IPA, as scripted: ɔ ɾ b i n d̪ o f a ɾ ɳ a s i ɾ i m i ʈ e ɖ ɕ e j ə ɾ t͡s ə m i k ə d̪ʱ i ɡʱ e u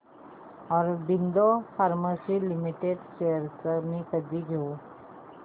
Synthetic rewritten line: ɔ ɾ b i n d̪ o f a ɾ m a s i l i m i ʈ e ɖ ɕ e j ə ɾ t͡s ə m i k ə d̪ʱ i ɡʱ e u